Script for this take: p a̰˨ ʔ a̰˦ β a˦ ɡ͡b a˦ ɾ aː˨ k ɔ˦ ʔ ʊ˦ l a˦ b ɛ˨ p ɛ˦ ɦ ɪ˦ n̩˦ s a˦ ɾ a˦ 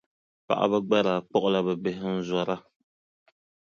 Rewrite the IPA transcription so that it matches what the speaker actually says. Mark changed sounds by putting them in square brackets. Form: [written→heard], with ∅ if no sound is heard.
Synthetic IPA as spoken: p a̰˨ ʔ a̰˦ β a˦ ɡ͡b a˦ ɾ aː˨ [k→k͡p] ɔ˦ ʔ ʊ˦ l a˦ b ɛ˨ [p→b] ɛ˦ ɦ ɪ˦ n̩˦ [s→z] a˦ ɾ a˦